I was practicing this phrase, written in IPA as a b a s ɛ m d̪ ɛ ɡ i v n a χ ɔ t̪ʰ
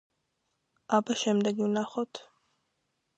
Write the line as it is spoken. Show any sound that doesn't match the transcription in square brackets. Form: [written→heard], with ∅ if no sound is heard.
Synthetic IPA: a b a [s→ʃ] ɛ m d̪ ɛ ɡ i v n a χ ɔ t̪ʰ